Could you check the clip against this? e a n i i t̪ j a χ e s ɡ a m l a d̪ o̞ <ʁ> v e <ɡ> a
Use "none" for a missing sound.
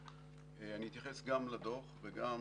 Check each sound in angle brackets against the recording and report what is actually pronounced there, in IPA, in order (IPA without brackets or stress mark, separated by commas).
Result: χ, ɡ